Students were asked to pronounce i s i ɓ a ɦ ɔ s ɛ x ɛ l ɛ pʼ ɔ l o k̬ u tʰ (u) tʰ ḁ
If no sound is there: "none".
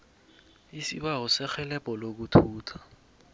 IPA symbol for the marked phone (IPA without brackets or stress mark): uː